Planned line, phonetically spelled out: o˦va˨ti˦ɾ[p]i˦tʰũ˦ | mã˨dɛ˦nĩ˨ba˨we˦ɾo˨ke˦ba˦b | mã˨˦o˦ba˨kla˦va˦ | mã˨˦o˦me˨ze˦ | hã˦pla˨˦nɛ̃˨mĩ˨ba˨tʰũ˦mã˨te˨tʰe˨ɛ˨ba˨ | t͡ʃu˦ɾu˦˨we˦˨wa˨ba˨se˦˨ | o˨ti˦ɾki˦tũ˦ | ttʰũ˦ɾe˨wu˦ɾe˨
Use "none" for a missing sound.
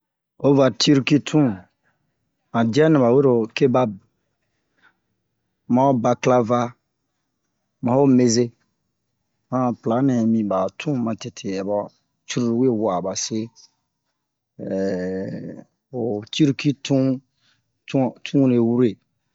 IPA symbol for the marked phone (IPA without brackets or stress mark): k